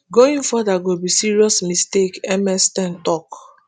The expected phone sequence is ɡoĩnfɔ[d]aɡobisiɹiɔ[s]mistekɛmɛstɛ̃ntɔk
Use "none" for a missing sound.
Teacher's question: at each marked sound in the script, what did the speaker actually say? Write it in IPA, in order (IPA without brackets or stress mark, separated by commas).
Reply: d, s